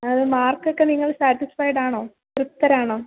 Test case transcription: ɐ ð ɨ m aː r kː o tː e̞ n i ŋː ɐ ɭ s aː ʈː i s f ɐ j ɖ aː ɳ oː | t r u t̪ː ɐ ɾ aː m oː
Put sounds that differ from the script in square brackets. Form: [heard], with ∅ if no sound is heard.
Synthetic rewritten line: ɐ ð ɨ m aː r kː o [kː] e̞ n i ŋː ɐ ɭ s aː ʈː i s f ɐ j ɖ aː ɳ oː | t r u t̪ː ɐ ɾ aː [ɳ] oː

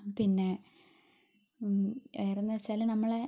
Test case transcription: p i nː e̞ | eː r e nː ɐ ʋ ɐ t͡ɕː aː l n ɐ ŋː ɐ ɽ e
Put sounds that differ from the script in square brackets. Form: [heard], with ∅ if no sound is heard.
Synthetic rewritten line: p i nː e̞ | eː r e nː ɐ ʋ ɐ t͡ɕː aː l n ɐ [mː] ɐ [ɭ] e

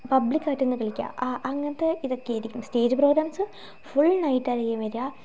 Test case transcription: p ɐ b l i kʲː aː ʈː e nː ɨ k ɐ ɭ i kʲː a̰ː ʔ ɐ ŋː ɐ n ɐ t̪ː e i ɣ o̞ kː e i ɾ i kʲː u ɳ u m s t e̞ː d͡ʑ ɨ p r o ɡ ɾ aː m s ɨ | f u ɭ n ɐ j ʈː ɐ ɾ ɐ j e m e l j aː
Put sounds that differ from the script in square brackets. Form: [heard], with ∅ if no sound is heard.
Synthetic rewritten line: p ɐ b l i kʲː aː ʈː e nː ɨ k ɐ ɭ i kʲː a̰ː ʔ ɐ ŋː ɐ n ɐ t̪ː e i [ð] o̞ kː e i ɾ i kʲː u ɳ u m s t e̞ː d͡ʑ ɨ p r o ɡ ɾ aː m s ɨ | f u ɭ n ɐ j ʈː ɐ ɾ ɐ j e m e [ɾ] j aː

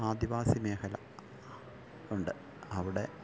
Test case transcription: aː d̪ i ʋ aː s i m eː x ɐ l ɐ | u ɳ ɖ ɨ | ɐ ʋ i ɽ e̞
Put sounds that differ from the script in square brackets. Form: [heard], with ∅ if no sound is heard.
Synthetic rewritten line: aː d̪ i ʋ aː s i m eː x ɐ l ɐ | u ɳ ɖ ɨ | ɐ ʋ i ɽ e̞

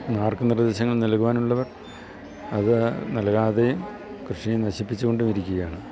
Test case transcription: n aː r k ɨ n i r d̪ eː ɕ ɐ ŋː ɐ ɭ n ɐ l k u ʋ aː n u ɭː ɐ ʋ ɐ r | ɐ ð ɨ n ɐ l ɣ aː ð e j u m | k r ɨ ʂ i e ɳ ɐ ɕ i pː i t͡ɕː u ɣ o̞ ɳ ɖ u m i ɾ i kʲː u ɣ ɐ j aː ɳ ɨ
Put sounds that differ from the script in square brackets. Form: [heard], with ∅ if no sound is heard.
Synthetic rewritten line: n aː r k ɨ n i r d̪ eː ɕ ɐ ŋː ɐ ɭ n ɐ l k u ʋ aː n u ɭː ɐ ʋ ɐ r | ɐ ð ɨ n ɐ l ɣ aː ð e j u m | k r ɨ ʂ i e [n] ɐ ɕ i pː i t͡ɕː u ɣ o̞ ɳ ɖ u m i ɾ i kʲː u ɣ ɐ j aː ɳ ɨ

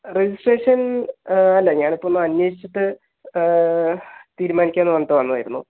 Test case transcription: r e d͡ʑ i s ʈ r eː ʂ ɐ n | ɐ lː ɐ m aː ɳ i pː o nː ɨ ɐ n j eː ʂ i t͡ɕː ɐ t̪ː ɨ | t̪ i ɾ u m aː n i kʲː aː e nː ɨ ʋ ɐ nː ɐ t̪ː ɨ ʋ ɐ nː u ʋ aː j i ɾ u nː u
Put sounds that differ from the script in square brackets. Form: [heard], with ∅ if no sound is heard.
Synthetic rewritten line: r e d͡ʑ i s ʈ r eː ʂ ɐ n | ɐ lː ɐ [ɲ] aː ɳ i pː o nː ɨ ɐ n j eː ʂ i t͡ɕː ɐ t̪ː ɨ | t̪ [iː] ɾ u m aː n i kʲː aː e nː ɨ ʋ ɐ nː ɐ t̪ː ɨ ʋ ɐ nː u ʋ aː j i ɾ u nː u

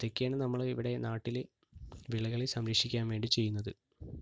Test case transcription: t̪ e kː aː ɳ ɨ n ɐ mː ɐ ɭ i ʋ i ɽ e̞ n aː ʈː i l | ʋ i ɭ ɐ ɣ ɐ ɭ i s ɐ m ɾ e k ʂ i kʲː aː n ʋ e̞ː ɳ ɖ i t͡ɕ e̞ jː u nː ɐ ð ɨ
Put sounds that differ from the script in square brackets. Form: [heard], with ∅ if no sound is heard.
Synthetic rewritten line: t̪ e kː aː ɳ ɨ n ɐ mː ɐ ɭ i ʋ i ɽ e̞ n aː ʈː i l | ʋ i ɭ ɐ ɣ ɐ ɭ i s ɐ m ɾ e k ʂ i kʲː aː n ʋ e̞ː ɳ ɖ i t͡ɕ e̞ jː u nː ɐ ð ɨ

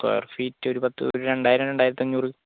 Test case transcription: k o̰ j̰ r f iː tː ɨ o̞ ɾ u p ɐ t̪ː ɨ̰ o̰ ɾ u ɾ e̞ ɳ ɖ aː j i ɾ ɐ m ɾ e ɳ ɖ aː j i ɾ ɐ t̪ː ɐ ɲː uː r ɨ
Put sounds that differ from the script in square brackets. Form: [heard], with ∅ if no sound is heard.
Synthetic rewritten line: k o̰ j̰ r f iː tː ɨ o̞ ɾ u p ɐ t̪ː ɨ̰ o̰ ɾ u ɾ e̞ ɳ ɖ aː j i ɾ ɐ m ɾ e ɳ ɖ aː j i ɾ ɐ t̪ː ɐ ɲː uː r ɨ

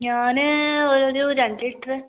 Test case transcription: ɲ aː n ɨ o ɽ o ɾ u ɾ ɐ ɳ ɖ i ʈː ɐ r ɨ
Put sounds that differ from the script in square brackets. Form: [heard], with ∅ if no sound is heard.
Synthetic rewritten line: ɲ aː n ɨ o [ɾ] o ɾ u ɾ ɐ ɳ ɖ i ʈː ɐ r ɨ

